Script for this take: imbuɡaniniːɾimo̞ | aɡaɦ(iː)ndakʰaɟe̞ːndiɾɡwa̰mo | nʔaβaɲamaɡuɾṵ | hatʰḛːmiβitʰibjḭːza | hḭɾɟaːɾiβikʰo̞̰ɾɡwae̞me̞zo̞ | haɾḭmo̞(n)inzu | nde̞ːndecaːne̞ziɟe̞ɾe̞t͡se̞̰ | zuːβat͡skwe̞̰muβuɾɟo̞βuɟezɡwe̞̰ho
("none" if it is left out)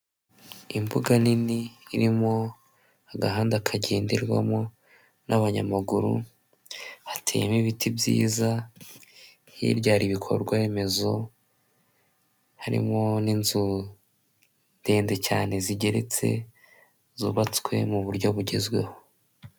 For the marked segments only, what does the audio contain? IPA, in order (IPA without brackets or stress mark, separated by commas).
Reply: aː, n